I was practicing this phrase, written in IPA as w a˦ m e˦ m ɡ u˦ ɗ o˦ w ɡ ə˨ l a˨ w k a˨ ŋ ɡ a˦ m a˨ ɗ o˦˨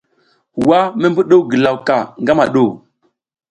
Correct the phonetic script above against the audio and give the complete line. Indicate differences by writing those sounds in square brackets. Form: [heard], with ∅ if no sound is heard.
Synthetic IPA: w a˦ m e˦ m [b] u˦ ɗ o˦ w ɡ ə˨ l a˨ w k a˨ ŋ ɡ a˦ m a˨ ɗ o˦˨